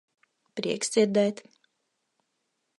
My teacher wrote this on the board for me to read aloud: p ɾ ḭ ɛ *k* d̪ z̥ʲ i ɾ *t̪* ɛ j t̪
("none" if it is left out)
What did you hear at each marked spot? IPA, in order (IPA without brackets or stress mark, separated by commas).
k, d̪